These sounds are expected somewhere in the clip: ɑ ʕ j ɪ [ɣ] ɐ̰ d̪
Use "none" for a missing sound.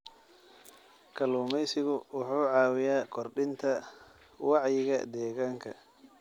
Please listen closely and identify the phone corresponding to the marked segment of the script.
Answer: ɣ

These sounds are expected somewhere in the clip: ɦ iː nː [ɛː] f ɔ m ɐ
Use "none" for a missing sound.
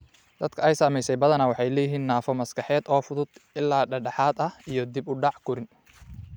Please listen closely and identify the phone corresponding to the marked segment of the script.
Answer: aː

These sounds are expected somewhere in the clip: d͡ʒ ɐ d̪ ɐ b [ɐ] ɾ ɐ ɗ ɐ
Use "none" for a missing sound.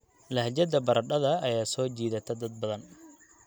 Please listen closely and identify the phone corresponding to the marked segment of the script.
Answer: ɐ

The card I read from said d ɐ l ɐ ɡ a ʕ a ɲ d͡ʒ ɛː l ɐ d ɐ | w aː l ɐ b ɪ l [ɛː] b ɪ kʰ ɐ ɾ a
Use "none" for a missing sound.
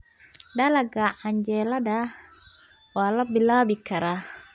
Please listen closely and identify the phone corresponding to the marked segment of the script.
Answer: aː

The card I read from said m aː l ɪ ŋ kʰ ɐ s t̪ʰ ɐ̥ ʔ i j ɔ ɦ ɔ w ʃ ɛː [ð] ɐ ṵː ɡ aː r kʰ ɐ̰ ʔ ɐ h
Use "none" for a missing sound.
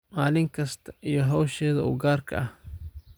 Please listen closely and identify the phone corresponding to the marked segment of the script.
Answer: ð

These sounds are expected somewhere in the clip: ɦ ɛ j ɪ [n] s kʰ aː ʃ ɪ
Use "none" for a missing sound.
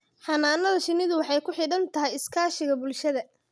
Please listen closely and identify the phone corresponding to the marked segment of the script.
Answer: none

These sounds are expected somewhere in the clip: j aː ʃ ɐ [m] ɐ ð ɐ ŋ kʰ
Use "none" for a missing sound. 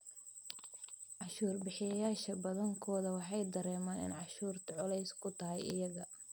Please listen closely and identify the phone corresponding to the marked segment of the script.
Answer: b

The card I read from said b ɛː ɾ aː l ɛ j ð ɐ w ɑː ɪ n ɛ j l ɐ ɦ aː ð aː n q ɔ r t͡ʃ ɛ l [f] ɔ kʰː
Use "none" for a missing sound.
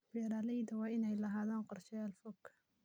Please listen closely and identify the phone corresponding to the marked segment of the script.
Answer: f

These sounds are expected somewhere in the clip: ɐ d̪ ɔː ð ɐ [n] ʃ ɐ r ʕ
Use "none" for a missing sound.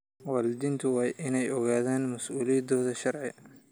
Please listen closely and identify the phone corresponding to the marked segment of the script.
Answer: none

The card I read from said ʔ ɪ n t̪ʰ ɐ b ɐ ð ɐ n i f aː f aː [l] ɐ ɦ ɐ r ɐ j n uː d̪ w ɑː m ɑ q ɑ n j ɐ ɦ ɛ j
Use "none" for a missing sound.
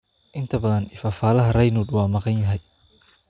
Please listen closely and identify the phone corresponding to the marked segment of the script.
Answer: l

